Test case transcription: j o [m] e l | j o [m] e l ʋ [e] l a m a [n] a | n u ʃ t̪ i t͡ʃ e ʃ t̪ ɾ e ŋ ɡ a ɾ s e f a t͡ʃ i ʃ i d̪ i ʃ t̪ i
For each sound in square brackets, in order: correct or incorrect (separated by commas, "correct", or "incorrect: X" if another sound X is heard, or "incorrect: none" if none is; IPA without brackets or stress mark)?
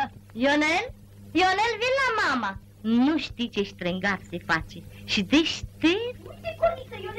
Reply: incorrect: n, incorrect: n, incorrect: i, incorrect: m